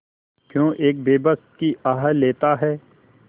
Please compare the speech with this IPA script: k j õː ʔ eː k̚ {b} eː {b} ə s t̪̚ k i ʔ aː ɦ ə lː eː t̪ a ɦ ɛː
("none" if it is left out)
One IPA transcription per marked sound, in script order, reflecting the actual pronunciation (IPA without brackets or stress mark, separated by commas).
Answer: b, b